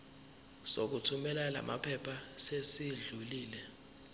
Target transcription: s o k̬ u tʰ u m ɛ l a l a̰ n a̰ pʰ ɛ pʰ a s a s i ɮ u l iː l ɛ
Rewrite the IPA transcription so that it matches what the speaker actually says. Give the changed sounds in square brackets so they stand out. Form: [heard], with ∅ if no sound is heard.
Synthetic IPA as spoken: s o k̬ u tʰ u m ɛ l a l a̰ [m] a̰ pʰ ɛ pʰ a s [e] s i ɮ u l iː l ɛ